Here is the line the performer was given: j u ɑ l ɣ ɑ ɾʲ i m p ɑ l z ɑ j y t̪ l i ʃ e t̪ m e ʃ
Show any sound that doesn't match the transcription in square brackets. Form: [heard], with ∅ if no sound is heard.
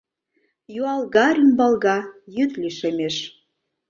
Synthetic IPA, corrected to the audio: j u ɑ l ɣ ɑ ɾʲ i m [b] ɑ l [ɣ] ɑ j y t̪ l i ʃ e [∅] m e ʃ